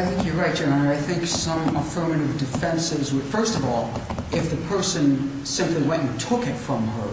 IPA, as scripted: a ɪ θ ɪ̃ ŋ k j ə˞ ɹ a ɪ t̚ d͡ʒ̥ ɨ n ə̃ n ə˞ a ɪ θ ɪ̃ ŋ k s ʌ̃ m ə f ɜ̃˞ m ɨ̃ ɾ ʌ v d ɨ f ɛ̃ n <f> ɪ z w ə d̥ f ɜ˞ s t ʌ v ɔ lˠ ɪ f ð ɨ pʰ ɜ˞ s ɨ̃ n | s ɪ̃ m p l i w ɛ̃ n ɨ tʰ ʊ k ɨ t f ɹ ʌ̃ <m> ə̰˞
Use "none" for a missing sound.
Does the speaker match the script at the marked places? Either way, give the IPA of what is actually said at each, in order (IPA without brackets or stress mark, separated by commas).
s, m